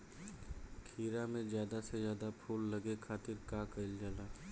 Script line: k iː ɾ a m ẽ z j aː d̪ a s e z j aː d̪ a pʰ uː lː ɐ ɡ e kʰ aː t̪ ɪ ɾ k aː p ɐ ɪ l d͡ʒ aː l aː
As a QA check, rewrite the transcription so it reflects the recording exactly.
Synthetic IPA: kʰ iː ɾ a m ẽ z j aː d̪ a s e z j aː d̪ a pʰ uː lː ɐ ɡ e kʰ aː t̪ ɪ ɾ k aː k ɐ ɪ l d͡ʒ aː l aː